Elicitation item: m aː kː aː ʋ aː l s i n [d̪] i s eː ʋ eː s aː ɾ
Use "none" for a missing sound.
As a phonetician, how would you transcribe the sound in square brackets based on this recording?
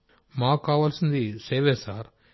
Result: d̪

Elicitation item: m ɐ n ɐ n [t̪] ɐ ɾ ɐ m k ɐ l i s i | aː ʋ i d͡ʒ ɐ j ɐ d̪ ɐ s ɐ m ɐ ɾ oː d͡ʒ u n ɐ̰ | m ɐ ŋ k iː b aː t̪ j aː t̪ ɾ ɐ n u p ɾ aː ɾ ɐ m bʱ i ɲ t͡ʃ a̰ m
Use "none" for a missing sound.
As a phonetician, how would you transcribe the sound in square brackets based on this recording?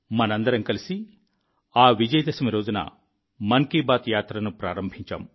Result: d̪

